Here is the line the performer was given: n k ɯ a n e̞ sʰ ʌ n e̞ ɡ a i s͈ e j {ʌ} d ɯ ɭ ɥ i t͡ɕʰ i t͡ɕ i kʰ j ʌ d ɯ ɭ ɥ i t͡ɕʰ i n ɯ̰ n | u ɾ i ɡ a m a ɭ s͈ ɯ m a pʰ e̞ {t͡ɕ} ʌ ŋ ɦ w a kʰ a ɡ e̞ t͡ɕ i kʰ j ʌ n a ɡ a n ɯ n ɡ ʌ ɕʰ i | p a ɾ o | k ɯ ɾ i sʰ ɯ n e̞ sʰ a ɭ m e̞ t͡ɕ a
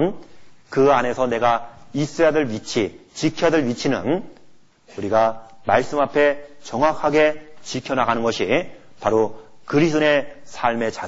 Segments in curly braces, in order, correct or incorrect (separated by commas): incorrect, correct